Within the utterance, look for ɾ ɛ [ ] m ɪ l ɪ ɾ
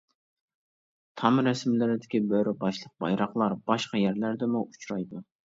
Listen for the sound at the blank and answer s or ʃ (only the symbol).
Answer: s